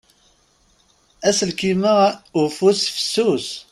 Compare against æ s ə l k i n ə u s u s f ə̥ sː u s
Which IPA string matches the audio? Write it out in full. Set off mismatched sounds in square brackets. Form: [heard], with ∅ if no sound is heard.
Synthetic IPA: æ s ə l k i [m] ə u [f] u s f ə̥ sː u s